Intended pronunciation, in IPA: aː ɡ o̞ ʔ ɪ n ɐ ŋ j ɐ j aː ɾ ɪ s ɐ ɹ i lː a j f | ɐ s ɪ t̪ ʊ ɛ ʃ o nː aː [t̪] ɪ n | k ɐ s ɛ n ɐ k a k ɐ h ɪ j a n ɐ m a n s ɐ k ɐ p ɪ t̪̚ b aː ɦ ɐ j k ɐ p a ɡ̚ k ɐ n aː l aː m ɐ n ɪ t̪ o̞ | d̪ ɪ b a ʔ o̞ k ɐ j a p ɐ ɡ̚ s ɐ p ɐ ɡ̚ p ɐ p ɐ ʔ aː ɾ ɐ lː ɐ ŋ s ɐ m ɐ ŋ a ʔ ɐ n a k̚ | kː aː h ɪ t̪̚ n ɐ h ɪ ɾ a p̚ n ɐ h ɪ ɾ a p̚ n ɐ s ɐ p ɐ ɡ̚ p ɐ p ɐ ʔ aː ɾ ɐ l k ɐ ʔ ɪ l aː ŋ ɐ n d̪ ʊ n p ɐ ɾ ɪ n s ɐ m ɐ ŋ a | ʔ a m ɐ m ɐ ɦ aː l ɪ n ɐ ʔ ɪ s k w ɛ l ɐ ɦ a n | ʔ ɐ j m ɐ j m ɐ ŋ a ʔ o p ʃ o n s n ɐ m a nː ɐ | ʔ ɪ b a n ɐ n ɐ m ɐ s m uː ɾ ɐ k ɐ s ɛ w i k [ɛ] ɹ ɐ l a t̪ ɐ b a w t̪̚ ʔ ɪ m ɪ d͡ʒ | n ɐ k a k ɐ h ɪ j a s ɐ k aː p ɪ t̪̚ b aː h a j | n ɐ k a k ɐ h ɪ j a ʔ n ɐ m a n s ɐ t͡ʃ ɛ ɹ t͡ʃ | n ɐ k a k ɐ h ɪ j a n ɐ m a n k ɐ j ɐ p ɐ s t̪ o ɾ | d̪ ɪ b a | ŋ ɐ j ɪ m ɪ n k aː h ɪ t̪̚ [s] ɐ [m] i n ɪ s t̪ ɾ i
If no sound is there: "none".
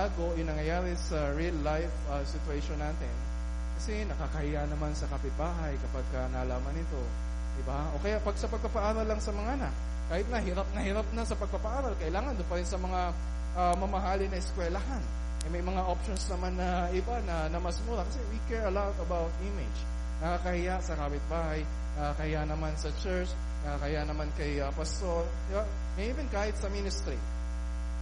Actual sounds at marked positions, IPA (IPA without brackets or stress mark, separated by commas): t̪, ɛ, s, m